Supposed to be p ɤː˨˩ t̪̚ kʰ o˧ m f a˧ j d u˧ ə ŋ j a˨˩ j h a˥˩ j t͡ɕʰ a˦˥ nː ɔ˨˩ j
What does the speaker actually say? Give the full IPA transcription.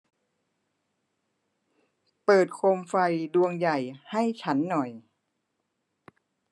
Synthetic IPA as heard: p ɤː˨˩ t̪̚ kʰ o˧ m f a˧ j d u˧ ə ŋ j a˨˩ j h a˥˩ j t͡ɕʰ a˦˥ nː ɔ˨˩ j